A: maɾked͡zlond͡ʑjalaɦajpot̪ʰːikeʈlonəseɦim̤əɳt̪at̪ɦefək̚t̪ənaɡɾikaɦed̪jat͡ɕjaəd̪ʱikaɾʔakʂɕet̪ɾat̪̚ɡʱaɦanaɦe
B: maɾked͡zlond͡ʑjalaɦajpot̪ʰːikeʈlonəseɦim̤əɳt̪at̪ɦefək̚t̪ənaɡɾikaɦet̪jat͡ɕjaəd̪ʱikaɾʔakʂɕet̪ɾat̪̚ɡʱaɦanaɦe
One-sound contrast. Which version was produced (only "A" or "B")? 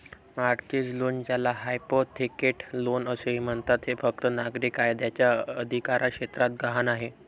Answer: A